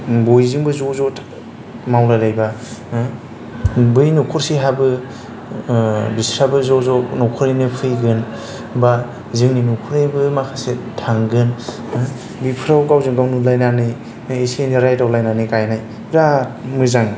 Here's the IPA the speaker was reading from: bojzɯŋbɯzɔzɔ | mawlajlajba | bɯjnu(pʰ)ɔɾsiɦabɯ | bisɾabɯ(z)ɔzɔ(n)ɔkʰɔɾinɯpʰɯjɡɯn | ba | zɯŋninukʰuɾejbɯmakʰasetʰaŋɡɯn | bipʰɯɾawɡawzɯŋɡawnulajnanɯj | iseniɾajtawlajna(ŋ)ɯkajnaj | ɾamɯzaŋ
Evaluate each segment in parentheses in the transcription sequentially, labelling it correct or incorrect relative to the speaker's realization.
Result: incorrect, correct, correct, incorrect

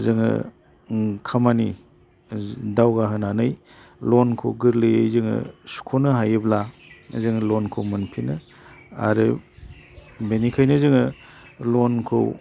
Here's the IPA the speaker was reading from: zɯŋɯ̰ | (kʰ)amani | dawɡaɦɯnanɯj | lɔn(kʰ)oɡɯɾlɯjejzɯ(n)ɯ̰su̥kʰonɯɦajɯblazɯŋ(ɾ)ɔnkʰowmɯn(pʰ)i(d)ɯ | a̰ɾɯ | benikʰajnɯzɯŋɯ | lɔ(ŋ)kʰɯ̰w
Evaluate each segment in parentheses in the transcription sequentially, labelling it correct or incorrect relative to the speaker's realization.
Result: correct, correct, incorrect, incorrect, correct, incorrect, incorrect

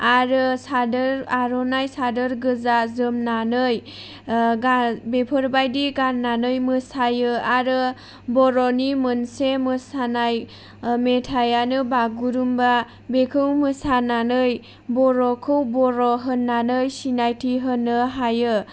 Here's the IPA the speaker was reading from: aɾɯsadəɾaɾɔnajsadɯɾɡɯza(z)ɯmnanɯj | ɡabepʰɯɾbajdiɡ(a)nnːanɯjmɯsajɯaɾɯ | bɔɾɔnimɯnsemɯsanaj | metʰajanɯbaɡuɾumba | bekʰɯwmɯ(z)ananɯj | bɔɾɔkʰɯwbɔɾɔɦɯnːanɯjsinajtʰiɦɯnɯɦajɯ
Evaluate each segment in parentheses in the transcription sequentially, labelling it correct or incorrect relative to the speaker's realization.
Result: correct, correct, incorrect

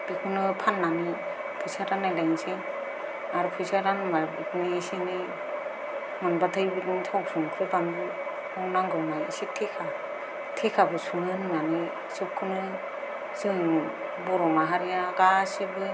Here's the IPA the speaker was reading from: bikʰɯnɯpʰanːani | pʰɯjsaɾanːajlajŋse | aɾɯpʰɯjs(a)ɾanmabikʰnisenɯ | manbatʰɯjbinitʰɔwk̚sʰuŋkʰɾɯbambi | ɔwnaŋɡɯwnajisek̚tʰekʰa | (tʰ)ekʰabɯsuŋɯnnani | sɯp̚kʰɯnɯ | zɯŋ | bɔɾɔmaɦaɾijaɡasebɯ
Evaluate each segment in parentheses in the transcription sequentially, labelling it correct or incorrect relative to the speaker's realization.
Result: correct, correct

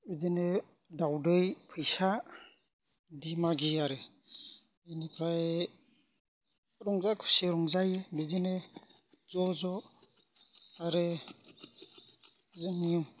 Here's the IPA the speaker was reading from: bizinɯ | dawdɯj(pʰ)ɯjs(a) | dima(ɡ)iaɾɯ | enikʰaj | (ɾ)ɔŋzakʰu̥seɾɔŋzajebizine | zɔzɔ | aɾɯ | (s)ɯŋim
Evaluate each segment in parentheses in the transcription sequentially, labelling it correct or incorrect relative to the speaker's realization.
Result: correct, correct, correct, correct, incorrect

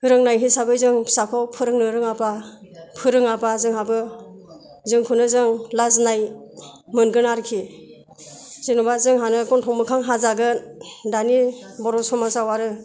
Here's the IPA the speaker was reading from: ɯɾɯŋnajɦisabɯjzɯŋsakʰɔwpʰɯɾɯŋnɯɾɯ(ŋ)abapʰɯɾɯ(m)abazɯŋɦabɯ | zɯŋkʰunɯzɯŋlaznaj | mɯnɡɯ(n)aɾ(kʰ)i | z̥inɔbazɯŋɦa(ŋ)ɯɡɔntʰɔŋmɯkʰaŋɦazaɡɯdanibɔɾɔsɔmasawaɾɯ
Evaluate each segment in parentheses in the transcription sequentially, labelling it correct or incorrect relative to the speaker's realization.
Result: correct, incorrect, correct, correct, incorrect

